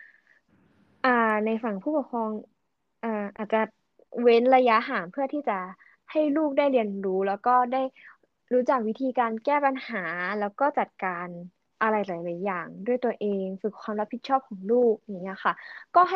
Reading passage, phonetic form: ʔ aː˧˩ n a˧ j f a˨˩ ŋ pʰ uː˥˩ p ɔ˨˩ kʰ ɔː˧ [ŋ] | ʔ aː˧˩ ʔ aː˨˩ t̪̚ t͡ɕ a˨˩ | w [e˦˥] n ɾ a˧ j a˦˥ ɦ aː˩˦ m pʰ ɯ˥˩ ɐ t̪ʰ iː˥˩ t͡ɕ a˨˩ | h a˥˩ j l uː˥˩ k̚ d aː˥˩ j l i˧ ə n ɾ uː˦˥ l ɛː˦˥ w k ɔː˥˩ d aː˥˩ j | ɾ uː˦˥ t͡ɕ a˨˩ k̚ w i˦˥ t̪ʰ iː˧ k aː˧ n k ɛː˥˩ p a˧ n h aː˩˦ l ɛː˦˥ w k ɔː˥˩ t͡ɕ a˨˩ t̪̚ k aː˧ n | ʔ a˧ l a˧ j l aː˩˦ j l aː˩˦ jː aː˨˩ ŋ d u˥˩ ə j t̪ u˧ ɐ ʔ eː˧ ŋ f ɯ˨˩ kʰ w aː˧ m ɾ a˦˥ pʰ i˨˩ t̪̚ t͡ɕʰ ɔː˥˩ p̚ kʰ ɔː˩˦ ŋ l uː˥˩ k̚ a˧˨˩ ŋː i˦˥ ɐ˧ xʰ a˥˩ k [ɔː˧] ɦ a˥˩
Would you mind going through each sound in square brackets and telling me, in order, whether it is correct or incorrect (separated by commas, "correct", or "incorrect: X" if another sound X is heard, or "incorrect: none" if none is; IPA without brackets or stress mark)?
correct, correct, incorrect: ɔː˥˩